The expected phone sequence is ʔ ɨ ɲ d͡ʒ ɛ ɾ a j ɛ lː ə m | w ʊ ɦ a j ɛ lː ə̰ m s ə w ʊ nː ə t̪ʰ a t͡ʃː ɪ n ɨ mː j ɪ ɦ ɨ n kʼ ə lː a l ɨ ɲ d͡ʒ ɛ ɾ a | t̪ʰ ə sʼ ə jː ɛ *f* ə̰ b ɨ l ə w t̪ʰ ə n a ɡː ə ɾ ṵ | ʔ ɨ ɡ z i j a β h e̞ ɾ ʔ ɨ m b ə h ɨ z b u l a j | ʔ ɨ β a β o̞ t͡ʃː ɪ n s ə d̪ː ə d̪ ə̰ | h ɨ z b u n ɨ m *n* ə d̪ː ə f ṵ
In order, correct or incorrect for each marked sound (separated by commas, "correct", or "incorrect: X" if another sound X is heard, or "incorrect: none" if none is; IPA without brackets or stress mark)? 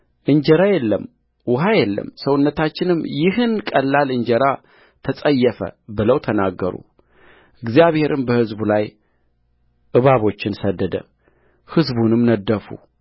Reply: correct, correct